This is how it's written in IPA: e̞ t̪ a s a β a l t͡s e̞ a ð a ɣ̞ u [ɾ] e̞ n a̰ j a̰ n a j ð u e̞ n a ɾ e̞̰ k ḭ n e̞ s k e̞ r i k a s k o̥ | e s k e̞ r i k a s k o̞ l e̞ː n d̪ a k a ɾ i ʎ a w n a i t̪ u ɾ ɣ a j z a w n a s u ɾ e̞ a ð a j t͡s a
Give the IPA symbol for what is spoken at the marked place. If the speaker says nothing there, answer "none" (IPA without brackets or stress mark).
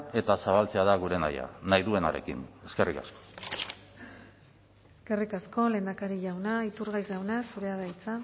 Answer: ɾ